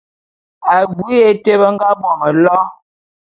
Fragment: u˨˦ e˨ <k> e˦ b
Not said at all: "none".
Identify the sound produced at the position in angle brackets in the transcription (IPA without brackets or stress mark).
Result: t